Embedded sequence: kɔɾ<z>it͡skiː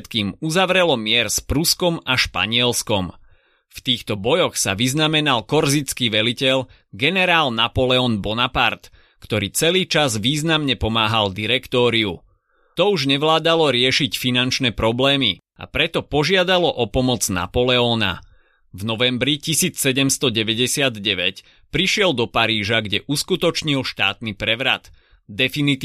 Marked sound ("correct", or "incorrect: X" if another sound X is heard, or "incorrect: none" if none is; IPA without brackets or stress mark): correct